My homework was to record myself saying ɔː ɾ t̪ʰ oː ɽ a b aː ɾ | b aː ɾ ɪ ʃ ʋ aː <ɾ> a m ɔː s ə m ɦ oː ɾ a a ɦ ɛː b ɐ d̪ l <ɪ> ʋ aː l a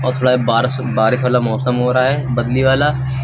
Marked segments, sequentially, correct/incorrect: incorrect, incorrect

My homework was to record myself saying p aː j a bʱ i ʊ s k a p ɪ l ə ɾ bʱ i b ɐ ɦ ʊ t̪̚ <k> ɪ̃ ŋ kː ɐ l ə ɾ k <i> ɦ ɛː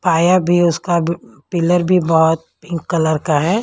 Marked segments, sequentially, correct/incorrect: incorrect, incorrect

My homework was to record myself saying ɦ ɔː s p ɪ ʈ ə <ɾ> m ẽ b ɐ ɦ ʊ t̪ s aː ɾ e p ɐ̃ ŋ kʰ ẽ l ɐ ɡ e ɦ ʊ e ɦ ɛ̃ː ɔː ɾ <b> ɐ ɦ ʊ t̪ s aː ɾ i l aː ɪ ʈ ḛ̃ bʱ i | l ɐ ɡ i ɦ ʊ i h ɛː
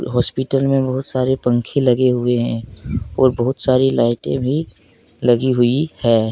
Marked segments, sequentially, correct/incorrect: incorrect, correct

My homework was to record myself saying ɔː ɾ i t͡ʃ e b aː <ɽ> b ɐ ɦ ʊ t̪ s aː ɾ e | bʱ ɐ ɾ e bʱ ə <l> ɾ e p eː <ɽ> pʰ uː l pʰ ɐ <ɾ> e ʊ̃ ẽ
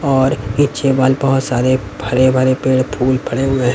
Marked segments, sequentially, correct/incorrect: incorrect, incorrect, correct, incorrect

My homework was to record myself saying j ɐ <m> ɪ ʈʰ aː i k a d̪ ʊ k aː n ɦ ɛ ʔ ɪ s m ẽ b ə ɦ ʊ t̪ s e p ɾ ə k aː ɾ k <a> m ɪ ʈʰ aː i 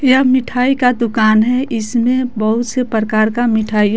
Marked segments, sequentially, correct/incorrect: correct, correct

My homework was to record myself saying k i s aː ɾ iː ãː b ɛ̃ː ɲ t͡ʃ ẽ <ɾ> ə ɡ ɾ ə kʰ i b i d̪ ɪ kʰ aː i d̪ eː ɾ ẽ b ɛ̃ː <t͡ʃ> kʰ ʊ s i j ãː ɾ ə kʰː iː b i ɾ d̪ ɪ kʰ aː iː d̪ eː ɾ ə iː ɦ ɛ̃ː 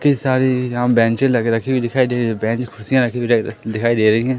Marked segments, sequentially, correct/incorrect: incorrect, correct

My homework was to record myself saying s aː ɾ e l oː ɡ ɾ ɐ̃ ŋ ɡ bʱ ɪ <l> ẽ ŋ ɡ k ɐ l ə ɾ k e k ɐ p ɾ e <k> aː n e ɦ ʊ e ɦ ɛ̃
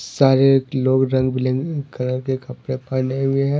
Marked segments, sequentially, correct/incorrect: correct, incorrect

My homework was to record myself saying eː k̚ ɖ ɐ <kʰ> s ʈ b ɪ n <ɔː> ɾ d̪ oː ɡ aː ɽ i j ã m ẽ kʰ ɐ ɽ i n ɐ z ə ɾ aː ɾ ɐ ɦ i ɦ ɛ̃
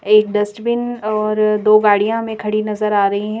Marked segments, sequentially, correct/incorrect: incorrect, correct

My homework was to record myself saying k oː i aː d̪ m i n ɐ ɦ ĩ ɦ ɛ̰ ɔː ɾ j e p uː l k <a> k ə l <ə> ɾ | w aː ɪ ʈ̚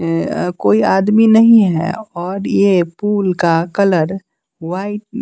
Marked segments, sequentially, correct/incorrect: correct, correct

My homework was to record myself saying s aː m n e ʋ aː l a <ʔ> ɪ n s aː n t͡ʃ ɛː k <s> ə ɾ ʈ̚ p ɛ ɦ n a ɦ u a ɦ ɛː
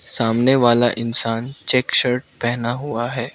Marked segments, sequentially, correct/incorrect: correct, incorrect

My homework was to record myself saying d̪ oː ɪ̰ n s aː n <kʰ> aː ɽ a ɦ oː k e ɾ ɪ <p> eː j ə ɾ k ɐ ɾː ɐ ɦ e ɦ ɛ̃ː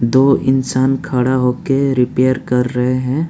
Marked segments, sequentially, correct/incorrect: correct, correct

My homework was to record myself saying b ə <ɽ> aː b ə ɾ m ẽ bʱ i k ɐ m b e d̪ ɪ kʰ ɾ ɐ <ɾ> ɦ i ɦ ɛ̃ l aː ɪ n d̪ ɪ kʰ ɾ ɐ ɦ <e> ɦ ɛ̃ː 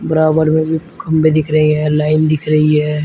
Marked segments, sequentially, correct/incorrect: incorrect, incorrect, incorrect

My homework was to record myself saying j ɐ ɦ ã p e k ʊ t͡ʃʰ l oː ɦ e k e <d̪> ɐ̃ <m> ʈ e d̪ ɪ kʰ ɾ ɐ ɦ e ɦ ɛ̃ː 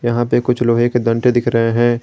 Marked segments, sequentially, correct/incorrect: correct, incorrect

